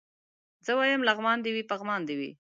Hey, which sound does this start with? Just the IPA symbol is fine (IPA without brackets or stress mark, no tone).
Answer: z